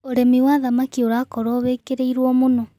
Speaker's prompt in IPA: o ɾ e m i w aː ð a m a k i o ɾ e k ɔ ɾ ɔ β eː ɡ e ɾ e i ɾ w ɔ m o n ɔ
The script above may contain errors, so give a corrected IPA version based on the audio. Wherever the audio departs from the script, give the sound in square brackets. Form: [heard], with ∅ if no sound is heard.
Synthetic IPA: o ɾ e m i w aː ð a m a k i o ɾ [a] k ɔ ɾ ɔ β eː [k] e ɾ e i ɾ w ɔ m o n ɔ